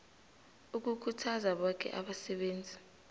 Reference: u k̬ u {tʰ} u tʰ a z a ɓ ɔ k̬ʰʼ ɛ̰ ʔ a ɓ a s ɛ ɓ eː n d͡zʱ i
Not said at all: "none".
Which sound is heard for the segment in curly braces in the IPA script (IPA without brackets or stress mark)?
kʰ